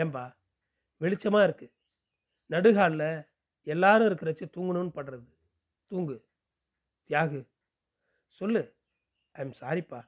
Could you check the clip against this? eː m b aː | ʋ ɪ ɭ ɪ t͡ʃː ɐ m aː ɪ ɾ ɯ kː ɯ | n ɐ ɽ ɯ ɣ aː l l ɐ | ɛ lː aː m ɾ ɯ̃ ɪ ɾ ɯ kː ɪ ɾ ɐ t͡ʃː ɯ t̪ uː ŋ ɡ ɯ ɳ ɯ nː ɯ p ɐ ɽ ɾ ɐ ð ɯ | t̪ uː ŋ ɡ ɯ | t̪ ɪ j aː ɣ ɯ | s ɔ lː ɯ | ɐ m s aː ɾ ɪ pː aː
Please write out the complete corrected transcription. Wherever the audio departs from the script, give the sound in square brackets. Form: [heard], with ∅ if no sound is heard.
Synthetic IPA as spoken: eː m b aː | ʋ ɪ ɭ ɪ t͡ʃː ɐ m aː ɪ ɾ ɯ kː ɯ | n ɐ ɽ ɯ ɣ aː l l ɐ | ɛ lː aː [∅] ɾ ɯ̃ ɪ ɾ ɯ kː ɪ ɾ ɐ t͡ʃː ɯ t̪ uː ŋ ɡ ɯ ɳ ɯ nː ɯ p ɐ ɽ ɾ ɐ ð ɯ | t̪ uː ŋ ɡ ɯ | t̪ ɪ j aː ɣ ɯ | s ɔ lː ɯ | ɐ m s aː ɾ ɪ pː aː